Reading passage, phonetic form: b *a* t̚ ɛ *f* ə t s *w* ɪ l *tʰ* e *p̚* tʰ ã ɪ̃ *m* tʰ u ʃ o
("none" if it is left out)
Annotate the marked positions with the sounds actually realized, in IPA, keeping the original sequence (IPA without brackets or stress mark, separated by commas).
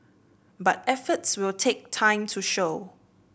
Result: a, f, w, tʰ, k̚, m